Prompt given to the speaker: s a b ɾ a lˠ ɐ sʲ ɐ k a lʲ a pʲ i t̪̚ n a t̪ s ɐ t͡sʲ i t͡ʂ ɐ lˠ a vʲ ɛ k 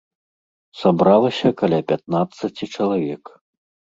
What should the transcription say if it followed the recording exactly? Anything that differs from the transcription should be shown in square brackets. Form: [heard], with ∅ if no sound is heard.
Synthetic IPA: s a b ɾ a lˠ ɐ sʲ ɐ k a lʲ a pʲ [a] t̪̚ n a t̪ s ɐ t͡sʲ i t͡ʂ ɐ lˠ a vʲ ɛ k